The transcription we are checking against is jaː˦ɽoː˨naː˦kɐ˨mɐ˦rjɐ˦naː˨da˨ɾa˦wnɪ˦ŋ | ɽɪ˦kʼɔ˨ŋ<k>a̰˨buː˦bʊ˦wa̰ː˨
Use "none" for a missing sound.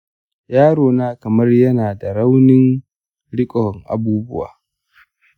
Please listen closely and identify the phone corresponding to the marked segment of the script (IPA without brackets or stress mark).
ʔ